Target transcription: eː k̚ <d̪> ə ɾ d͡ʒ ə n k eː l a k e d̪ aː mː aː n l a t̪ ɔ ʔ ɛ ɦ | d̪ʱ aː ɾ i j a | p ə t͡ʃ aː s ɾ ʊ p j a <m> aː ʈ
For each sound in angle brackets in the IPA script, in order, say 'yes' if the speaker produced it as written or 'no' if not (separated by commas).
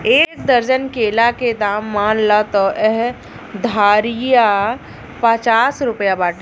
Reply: yes, no